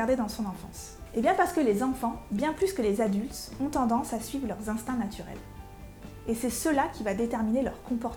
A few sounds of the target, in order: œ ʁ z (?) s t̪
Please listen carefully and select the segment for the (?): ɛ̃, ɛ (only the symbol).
ɛ̃